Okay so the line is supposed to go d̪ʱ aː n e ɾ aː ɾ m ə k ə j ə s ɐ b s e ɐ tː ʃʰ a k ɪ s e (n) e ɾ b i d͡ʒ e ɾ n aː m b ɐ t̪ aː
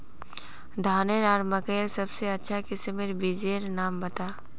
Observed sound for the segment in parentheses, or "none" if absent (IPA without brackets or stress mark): m